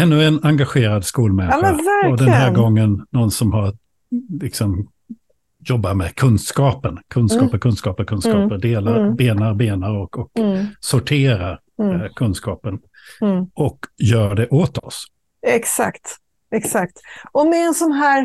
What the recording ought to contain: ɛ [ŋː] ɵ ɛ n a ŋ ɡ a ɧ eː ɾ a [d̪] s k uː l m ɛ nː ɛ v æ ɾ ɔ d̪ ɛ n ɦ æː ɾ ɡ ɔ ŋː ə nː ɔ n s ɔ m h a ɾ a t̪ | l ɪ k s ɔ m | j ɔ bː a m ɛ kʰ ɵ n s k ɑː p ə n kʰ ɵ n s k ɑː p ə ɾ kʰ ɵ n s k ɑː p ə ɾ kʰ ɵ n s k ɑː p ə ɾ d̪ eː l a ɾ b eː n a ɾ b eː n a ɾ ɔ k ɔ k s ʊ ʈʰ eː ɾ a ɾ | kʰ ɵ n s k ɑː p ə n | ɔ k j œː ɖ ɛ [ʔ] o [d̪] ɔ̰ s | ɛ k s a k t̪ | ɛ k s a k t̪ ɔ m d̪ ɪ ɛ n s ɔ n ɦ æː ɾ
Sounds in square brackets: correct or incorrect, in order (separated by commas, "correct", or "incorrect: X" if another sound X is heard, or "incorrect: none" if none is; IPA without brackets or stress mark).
incorrect: nː, correct, correct, incorrect: t̪